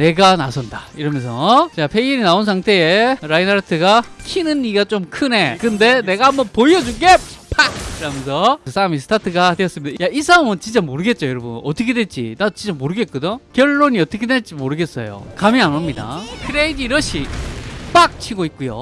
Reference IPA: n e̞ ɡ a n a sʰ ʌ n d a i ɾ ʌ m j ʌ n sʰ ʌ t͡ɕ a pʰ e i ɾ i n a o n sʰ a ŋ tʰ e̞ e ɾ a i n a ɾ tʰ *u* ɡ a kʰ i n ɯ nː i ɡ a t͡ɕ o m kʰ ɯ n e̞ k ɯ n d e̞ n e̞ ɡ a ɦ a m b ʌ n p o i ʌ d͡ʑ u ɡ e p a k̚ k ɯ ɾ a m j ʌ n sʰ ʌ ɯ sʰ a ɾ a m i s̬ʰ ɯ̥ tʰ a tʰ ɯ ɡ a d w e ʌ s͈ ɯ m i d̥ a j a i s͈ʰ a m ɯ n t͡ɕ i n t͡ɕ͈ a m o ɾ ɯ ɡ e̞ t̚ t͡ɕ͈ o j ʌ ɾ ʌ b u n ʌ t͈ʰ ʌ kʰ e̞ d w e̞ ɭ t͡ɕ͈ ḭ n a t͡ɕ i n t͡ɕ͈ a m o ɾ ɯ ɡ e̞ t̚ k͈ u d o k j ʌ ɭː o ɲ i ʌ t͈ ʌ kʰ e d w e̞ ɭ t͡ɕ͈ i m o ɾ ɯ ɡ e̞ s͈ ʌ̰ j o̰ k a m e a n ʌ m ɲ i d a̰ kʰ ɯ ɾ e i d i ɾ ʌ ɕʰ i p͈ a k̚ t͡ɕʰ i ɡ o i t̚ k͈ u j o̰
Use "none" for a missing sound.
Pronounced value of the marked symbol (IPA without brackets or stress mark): ɯ